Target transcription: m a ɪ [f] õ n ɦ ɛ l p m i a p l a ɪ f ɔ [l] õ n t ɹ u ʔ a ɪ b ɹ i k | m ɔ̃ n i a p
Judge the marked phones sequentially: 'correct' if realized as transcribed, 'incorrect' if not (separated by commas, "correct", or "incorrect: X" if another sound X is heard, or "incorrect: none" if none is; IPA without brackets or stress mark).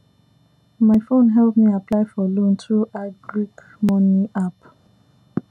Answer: correct, correct